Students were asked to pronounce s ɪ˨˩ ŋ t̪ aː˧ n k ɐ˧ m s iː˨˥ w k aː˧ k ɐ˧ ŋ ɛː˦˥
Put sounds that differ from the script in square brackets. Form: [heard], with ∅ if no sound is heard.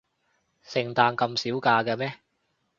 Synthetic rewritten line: s ɪ˨˩ ŋ t̪ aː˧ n k ɐ˧ m s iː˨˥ w k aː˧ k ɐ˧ [m] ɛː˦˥